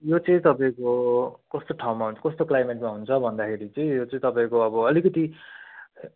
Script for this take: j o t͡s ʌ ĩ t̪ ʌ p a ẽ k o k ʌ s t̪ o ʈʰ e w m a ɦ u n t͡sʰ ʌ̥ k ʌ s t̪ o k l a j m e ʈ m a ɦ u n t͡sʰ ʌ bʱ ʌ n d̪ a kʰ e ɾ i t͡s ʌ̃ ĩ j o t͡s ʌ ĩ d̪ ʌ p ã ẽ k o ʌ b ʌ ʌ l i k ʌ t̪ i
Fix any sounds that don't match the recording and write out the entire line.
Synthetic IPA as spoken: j o t͡s ʌ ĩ t̪ ʌ p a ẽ k o k ʌ s t̪ o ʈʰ a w m a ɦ u n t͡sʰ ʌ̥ k ʌ s t̪ o k l a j m e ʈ m a ɦ u n t͡sʰ ʌ bʱ ʌ n d̪ a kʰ e ɾ i t͡s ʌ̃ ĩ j o t͡s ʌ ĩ t̪ ʌ p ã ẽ k o ʌ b ʌ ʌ l i k ʌ t̪ i